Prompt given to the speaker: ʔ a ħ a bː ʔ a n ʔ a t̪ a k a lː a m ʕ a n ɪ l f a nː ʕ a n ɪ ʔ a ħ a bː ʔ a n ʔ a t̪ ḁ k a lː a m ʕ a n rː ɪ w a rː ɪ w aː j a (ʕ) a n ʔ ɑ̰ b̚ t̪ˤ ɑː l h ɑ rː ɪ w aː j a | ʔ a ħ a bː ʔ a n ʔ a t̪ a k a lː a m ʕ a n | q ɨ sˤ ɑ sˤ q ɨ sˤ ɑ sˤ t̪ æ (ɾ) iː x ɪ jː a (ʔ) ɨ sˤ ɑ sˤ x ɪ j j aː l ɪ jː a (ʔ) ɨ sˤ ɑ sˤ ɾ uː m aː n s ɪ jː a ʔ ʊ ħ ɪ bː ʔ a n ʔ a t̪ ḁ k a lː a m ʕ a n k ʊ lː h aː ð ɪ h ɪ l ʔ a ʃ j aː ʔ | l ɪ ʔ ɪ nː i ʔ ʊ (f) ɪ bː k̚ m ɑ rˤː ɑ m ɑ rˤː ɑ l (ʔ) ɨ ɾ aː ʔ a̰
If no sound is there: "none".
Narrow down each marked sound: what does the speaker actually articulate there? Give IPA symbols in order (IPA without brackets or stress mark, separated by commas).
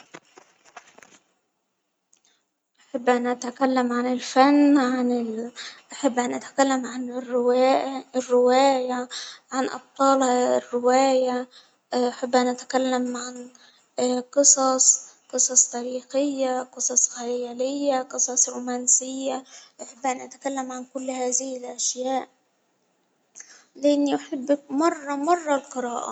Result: ʕ, ɾ, q, q, ħ, q